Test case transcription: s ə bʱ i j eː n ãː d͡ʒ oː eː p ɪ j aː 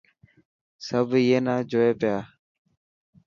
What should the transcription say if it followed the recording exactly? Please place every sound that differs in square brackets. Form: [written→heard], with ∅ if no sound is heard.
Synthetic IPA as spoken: s ə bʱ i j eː n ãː d͡ʒ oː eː p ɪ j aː